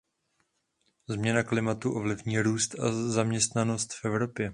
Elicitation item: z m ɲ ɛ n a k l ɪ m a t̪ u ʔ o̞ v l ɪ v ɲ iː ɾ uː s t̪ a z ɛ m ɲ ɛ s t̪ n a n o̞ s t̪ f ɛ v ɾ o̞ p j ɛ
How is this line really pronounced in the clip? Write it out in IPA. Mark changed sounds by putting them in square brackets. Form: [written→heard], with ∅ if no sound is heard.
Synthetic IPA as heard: z m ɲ ɛ n a k l ɪ m a t̪ u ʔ o̞ v l ɪ v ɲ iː ɾ uː s t̪ a z [ɛ→a] m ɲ ɛ s t̪ n a n o̞ s t̪ f ɛ v ɾ o̞ p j ɛ